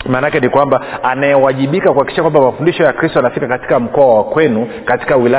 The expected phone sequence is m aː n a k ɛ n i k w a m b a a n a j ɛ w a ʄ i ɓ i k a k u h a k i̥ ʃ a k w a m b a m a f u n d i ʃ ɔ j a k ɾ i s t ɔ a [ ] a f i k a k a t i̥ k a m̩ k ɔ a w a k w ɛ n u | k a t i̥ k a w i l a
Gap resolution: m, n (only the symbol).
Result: n